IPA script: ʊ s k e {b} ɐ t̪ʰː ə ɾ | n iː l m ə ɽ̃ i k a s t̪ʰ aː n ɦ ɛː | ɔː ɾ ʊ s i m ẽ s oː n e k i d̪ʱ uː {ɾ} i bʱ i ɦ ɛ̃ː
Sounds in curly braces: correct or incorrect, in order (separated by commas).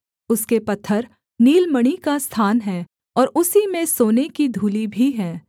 incorrect, incorrect